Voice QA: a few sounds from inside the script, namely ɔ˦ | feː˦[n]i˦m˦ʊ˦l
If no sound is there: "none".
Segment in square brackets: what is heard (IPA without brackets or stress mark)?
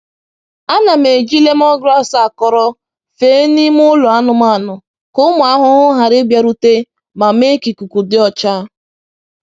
n